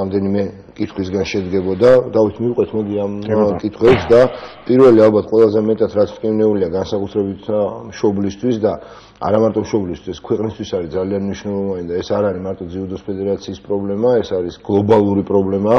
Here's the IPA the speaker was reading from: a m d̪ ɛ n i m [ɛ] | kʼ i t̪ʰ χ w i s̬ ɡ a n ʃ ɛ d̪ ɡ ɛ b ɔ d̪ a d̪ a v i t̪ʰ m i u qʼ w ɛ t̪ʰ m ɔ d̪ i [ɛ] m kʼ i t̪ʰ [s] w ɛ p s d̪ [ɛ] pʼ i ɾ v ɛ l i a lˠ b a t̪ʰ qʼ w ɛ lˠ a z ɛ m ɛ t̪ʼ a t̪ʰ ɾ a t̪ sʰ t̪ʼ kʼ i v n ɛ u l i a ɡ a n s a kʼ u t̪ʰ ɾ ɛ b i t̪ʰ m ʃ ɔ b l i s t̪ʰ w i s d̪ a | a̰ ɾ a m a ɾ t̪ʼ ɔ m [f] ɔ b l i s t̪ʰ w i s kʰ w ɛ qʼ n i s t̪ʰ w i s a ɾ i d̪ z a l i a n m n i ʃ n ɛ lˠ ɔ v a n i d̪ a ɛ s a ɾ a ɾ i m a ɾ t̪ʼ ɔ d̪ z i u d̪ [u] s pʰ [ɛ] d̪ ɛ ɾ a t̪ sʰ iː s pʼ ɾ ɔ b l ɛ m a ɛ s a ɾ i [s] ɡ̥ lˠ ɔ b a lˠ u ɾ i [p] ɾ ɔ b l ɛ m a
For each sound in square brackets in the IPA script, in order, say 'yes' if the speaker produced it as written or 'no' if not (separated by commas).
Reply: yes, no, no, no, no, no, yes, yes, no